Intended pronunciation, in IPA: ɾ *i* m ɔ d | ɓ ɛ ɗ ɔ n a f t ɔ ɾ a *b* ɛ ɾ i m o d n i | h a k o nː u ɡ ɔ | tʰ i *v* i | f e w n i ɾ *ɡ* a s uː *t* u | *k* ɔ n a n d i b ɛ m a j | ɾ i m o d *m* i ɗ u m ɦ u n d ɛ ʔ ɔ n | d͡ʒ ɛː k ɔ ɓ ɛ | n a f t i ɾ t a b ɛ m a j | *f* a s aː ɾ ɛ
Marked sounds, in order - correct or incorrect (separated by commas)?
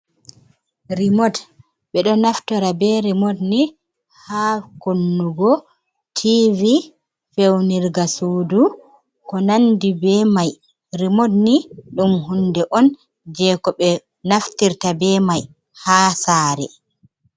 correct, correct, correct, correct, incorrect, correct, incorrect, incorrect